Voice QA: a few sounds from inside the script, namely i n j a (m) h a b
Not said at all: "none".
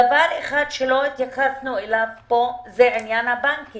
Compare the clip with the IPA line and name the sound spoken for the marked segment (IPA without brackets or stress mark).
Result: n